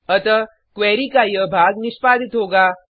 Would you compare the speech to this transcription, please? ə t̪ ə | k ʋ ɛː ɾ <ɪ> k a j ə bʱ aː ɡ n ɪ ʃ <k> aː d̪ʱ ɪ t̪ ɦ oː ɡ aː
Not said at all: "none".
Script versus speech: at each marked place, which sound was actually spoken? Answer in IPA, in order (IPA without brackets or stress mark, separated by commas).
i, p